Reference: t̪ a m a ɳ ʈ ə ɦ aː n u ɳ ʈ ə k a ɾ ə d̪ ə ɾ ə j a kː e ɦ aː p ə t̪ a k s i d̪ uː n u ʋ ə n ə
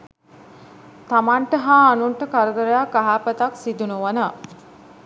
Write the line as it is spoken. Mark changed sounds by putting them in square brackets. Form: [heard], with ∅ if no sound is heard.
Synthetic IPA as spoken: t̪ a m a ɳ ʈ ə ɦ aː n u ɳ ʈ ə k a ɾ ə d̪ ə ɾ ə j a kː [a] ɦ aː p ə t̪ a k s i d̪ [u] n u ʋ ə n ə

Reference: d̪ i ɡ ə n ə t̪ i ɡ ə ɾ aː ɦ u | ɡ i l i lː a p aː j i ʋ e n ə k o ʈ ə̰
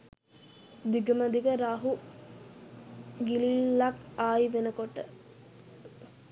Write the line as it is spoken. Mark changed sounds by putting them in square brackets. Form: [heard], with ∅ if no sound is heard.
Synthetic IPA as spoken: d̪ i ɡ ə [m] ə [d̪] i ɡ ə ɾ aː ɦ u | ɡ i l i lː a [k] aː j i ʋ e n ə k o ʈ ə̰

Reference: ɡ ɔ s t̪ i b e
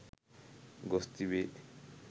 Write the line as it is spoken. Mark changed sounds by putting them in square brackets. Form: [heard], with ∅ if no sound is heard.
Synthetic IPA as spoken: ɡ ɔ s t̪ i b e

